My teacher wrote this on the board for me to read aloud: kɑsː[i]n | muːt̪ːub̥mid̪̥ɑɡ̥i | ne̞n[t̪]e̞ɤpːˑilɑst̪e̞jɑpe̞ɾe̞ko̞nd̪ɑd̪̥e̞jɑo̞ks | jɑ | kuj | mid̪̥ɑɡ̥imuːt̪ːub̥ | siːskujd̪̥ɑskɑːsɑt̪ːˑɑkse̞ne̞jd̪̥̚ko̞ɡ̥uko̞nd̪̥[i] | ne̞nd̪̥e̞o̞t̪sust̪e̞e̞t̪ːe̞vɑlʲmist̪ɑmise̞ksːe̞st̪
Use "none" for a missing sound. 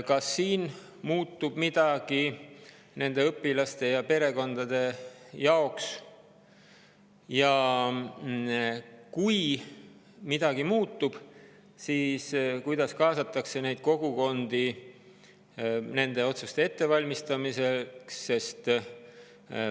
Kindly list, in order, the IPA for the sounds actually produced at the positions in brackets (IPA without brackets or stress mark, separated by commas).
iː, d̪, i